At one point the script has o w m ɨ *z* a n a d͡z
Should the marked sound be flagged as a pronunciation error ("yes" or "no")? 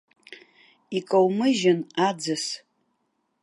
yes